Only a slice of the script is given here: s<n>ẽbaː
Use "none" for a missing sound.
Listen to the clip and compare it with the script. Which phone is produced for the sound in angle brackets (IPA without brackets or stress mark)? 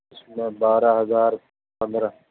m